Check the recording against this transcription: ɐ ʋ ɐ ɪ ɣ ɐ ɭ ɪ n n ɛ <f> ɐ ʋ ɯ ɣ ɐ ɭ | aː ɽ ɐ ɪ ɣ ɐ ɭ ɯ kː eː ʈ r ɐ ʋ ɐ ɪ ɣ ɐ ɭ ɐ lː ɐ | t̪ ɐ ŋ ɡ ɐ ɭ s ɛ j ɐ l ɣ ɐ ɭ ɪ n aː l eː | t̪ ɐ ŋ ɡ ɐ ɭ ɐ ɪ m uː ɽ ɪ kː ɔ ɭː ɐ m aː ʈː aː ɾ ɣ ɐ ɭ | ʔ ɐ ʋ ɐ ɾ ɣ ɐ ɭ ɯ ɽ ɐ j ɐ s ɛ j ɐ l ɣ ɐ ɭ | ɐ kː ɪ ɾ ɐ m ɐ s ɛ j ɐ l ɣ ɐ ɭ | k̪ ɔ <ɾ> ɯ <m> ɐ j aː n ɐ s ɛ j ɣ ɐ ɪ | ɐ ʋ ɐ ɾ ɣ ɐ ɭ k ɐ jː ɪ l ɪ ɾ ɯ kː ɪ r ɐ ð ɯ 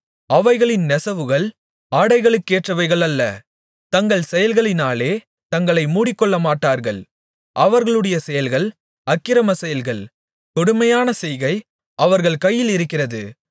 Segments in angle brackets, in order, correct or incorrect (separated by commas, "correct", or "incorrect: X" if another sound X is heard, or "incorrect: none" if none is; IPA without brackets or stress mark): incorrect: s, incorrect: ɽ, correct